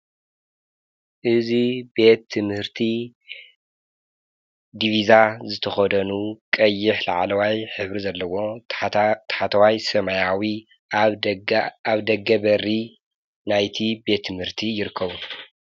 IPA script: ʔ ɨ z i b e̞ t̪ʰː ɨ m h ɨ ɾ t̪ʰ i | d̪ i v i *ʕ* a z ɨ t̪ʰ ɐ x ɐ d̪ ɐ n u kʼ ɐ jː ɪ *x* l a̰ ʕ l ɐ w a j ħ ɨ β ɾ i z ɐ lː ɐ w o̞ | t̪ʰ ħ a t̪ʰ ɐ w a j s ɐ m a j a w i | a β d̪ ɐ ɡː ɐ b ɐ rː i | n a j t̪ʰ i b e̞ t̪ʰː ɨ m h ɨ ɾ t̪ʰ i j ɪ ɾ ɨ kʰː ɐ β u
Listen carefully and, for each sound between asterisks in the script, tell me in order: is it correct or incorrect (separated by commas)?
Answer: incorrect, incorrect